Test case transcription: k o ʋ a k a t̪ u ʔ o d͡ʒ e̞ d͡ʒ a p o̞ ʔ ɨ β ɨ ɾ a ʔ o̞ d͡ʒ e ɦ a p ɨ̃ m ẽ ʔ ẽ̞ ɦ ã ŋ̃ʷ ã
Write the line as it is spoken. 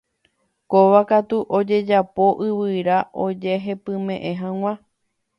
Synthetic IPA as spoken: k o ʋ a k a t̪ u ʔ o d͡ʒ e̞ d͡ʒ a p o̞ ʔ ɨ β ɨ ɾ a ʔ o̞ d͡ʒ e ɦ e p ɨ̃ m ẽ ʔ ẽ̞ ɦ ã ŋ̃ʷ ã